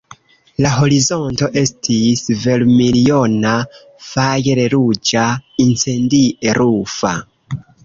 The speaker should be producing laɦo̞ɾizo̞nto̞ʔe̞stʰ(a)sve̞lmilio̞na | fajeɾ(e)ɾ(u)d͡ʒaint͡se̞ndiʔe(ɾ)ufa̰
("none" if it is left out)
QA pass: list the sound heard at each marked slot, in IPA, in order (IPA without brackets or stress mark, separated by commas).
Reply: i, e, u, ɾ